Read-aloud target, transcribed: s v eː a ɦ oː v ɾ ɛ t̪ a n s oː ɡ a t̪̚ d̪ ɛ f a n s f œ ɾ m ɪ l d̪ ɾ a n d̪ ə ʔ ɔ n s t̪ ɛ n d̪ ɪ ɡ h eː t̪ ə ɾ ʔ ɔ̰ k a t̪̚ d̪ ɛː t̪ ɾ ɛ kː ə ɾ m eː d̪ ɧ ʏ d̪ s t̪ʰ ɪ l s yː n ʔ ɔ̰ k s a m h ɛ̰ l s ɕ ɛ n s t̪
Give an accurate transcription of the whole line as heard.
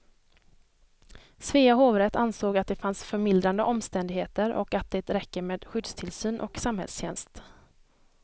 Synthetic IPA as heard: s v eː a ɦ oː v ɾ ɛ t̪ a n s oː ɡ a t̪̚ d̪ ɛ f a n s f œ ɾ m ɪ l d̪ ɾ a n d̪ ə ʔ ɔ m s t̪ ɛ n d̪ ɪ ɡ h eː t̪ ə ɾ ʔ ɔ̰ k a t̪̚ d̪ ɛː t̪ ɾ ɛ kː ə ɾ m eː d̪ ɧ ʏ d̪ s t̪ʰ ɪ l s yː n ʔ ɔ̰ k s a m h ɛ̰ l s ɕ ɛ n s t̪